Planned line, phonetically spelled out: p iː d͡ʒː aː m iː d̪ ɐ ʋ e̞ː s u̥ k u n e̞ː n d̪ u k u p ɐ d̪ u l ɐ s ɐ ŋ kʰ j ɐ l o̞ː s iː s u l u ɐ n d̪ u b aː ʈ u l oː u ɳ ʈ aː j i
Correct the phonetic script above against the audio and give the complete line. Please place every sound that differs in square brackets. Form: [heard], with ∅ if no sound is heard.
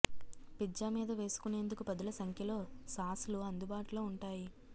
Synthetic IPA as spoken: p [i] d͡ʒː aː m iː d̪ ɐ ʋ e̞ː s u̥ k u n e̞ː n d̪ u k u p ɐ d̪ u l ɐ s ɐ ŋ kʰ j ɐ l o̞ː s [aː] s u l u ɐ n d̪ u b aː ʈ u l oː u ɳ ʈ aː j i